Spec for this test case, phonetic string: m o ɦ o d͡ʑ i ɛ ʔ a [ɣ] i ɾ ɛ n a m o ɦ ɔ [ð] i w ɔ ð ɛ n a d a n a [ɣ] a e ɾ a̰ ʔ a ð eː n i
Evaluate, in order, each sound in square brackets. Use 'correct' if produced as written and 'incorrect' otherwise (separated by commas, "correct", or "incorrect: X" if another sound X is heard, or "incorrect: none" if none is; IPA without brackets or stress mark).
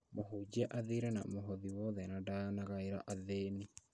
incorrect: ð, correct, correct